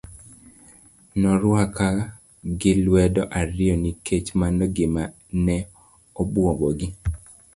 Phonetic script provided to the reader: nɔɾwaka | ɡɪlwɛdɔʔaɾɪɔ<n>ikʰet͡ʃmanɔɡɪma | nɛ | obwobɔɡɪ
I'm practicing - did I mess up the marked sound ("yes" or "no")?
no